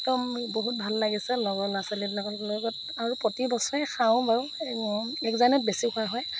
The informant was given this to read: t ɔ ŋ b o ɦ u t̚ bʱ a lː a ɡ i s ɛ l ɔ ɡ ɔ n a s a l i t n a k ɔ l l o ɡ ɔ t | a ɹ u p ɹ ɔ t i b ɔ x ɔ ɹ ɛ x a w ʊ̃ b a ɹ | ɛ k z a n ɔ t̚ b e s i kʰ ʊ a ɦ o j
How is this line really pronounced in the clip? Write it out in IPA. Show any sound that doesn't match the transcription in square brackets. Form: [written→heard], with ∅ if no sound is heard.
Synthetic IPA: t ɔ [ŋ→m] b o ɦ u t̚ bʱ a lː a ɡ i s ɛ l ɔ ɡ ɔ n a s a l i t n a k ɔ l l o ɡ ɔ t | a ɹ u p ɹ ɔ t i b ɔ [x→s] ɔ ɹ ɛ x a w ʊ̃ b a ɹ | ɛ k z a n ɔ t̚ b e s i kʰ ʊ a ɦ [o→ɔ] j